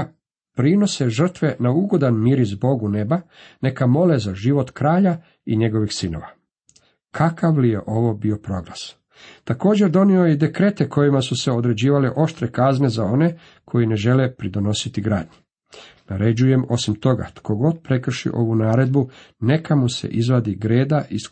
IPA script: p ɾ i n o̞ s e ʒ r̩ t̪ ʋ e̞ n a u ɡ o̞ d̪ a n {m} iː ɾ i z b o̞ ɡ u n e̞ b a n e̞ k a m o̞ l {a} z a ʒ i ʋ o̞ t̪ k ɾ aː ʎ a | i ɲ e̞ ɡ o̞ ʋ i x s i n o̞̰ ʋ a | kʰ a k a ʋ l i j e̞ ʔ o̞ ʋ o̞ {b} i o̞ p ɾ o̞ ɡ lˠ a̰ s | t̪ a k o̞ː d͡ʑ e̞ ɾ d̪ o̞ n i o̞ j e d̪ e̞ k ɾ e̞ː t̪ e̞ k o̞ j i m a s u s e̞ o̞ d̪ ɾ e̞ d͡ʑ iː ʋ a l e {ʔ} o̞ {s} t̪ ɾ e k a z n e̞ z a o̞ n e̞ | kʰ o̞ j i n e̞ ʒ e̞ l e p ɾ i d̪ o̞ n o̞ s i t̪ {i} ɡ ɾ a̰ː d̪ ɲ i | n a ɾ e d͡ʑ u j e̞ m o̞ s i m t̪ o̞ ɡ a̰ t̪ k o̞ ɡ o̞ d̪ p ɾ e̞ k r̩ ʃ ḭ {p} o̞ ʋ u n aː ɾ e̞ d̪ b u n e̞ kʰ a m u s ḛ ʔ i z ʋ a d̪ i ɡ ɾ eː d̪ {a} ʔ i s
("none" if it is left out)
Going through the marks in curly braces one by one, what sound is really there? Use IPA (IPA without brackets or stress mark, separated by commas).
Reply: m, e, b, ʔ, ʃ, i, ʔ, a